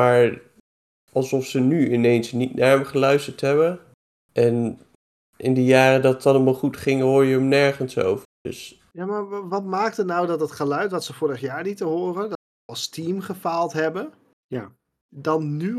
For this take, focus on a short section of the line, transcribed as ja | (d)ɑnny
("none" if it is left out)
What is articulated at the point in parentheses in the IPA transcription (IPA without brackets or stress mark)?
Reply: d